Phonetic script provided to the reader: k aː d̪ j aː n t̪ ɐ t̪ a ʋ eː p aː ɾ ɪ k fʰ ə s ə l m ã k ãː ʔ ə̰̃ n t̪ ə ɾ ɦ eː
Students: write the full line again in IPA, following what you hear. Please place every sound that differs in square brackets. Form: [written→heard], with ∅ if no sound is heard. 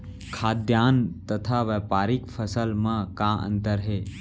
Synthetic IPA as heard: [k→kʰ] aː d̪ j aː n t̪ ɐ [t̪→t̪ʰ] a ʋ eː p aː ɾ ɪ k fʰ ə s ə l m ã k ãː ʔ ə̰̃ n t̪ ə ɾ ɦ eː